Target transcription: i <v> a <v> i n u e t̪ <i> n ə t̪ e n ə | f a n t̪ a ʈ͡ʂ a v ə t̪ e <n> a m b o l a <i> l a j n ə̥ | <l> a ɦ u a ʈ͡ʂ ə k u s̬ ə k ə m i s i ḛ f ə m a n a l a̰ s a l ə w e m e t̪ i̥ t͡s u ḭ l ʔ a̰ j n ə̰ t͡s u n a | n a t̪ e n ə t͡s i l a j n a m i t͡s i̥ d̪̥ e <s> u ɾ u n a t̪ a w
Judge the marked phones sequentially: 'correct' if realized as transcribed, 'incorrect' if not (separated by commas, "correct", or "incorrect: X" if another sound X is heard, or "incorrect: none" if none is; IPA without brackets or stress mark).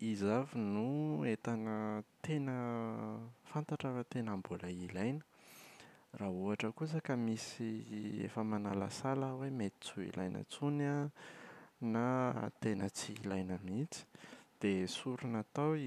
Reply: incorrect: z, correct, incorrect: a, correct, correct, incorrect: r, correct